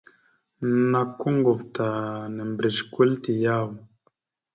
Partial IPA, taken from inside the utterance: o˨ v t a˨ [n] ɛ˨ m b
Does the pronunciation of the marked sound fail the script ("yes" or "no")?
no